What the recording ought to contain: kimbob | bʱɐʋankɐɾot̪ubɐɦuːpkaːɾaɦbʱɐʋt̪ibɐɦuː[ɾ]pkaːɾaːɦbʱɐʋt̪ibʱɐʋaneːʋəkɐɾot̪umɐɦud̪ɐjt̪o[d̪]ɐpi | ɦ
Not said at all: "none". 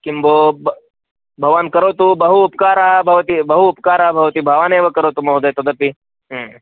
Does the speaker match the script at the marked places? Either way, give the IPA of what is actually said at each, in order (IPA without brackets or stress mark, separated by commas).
none, d̪